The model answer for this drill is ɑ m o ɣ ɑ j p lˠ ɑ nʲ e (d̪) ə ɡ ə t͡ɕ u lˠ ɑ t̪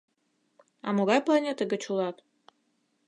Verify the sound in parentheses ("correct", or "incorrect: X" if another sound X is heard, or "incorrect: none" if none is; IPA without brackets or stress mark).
incorrect: t̪